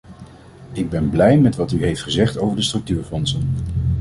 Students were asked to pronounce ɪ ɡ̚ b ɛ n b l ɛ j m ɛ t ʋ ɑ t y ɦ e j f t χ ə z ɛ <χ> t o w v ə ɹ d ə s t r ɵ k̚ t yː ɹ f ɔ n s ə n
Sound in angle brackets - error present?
no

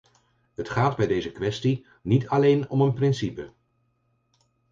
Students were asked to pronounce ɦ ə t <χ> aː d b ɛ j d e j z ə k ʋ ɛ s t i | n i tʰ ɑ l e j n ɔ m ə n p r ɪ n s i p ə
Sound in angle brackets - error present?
no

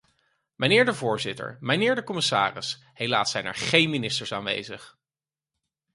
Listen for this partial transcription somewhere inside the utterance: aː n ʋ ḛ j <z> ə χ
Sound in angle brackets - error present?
no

